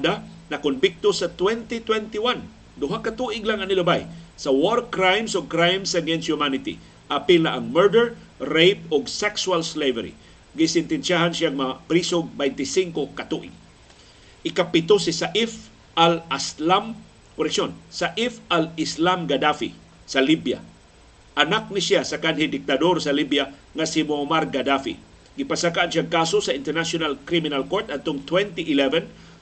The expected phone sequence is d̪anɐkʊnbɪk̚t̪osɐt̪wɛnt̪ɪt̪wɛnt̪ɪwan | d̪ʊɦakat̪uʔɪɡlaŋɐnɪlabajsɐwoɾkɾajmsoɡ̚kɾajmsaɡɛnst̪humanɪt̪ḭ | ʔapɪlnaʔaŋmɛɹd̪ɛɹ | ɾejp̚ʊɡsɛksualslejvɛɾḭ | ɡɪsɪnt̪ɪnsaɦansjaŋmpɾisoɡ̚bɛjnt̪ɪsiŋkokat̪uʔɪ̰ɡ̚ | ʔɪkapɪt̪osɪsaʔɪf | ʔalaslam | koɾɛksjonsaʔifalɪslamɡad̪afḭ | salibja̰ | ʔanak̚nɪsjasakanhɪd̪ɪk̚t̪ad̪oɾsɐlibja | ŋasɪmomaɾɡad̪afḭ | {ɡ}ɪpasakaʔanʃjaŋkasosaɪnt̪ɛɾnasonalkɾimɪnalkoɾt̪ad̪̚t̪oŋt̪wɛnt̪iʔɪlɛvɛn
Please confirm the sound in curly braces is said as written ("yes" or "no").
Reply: yes